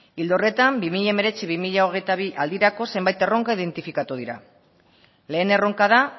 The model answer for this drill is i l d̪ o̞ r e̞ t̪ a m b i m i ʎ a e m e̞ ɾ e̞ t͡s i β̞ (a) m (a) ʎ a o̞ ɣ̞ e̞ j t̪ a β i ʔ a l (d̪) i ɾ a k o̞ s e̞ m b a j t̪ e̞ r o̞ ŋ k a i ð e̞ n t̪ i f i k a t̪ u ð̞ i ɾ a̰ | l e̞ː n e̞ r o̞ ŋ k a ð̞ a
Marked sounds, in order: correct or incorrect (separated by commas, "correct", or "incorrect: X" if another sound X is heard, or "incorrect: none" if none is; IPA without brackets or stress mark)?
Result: incorrect: i, incorrect: i, correct